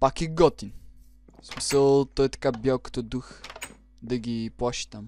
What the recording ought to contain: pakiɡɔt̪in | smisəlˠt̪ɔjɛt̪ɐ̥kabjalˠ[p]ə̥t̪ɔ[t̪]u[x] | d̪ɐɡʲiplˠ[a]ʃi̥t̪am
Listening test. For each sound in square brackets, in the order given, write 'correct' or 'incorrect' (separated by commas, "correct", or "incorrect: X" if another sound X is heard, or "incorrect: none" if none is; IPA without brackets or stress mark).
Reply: incorrect: k, incorrect: d̪, correct, correct